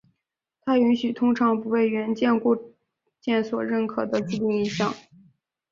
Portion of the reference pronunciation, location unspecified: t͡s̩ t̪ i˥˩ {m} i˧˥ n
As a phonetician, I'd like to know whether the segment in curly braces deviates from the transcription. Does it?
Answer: yes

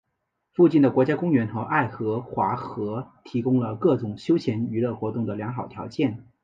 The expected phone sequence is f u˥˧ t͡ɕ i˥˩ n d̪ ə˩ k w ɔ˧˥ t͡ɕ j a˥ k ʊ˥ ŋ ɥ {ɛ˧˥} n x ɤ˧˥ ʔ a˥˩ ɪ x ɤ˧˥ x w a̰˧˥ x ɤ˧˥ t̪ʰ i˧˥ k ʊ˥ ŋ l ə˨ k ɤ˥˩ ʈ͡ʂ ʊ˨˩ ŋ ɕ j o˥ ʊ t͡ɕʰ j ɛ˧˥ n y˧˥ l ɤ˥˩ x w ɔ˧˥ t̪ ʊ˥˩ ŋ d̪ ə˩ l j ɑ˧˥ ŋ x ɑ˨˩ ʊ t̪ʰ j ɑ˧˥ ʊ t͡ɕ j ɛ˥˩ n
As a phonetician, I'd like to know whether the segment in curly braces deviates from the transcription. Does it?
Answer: no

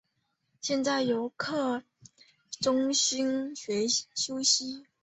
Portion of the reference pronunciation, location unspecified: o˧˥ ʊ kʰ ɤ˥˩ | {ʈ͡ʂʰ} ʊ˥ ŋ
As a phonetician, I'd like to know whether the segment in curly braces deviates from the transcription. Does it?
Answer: yes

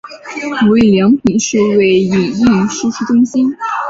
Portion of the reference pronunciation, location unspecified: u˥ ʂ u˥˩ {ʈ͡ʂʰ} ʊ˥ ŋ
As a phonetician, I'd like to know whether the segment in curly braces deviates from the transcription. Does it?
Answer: yes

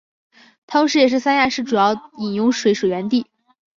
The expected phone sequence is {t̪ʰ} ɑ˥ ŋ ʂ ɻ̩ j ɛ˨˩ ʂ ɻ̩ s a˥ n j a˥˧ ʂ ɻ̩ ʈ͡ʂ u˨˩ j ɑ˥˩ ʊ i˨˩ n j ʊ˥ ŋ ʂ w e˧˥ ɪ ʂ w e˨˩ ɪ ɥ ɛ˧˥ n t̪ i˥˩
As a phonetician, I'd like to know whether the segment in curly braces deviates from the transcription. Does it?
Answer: no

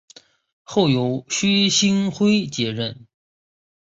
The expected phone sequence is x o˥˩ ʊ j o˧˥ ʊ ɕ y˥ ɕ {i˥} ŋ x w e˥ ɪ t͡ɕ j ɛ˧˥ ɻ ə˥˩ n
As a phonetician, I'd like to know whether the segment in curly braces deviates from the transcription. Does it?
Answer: no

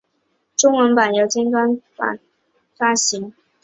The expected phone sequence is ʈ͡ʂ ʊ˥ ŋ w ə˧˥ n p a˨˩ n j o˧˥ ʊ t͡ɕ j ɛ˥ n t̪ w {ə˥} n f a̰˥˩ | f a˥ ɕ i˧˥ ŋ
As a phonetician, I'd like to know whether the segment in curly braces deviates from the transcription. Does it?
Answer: yes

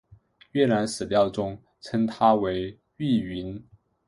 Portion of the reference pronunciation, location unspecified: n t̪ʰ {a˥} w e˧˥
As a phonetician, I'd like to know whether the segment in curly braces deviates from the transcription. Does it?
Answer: no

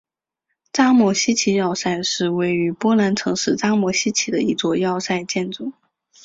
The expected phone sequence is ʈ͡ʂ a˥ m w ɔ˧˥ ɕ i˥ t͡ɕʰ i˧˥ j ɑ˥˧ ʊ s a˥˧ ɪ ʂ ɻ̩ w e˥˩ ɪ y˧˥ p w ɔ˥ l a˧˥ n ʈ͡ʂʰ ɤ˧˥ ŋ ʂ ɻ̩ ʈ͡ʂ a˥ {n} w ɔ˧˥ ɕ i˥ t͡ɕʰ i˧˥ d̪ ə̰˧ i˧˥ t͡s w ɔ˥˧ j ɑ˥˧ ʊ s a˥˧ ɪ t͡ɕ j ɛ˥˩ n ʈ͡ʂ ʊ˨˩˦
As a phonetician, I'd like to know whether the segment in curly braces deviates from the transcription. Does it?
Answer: yes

